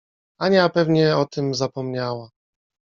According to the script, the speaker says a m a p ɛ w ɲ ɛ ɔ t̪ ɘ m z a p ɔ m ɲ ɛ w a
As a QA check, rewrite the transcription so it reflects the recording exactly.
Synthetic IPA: a ɲ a p ɛ v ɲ ɛ ɔ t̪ ɘ m z a p ɔ m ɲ a w a